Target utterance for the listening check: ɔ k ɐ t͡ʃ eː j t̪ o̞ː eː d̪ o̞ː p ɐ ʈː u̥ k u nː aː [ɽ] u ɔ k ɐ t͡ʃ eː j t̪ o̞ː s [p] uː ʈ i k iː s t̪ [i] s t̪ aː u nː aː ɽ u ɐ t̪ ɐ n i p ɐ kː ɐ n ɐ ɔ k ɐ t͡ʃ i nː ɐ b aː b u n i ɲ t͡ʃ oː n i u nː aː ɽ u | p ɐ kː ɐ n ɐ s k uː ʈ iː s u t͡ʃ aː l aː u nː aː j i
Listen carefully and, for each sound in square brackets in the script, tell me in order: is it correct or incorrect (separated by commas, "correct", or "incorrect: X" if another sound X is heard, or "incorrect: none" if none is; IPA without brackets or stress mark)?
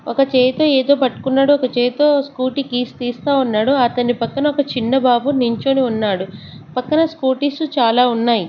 correct, incorrect: k, incorrect: iː